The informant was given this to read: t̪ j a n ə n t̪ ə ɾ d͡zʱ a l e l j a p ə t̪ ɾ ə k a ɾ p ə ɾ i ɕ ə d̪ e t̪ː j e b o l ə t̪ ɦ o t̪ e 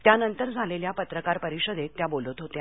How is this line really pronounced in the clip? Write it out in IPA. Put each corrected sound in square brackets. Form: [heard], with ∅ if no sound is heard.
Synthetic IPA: t̪ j a n ə n t̪ ə ɾ d͡zʱ a l e l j a p ə t̪ ɾ ə k a ɾ p ə ɾ i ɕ ə d̪ e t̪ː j [a] b o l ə t̪ ɦ o t̪ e